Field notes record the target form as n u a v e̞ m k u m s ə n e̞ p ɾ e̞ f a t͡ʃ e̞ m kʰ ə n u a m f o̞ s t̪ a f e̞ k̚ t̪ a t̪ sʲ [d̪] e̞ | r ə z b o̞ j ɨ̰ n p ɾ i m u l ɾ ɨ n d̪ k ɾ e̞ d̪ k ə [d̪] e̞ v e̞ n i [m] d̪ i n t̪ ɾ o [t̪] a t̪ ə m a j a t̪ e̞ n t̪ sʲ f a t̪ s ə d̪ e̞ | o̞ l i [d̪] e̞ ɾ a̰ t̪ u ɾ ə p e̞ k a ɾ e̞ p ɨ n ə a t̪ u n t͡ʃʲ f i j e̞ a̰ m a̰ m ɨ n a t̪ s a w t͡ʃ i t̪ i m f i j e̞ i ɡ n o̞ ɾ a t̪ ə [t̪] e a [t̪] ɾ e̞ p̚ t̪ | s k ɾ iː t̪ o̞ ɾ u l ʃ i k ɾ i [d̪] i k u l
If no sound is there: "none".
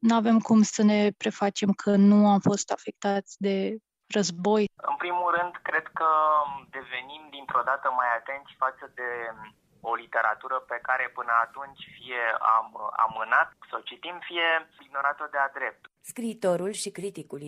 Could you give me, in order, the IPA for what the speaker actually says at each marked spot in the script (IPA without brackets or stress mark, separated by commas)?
d̪, d̪, m, d̪, t̪, d̪, d̪, t̪